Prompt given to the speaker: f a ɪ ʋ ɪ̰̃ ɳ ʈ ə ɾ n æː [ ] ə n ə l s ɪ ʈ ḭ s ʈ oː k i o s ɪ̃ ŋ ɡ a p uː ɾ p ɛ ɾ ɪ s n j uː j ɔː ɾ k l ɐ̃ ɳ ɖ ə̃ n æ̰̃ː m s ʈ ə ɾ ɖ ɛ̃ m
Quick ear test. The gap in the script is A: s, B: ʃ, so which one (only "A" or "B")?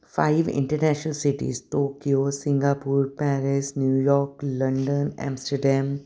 B